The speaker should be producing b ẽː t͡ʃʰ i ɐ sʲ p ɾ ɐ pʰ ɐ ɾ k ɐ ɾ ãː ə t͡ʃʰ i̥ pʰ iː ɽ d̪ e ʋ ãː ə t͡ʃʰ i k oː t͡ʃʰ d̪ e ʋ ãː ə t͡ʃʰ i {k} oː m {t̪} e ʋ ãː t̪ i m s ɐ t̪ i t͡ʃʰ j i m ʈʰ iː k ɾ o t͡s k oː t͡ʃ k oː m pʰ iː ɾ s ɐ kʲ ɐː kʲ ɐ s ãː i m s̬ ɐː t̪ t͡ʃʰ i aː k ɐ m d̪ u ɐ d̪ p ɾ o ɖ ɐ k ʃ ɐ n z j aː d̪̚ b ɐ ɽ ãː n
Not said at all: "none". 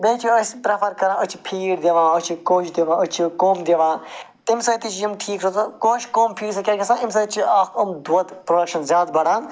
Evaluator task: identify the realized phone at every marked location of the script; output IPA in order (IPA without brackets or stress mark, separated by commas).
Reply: k, d̪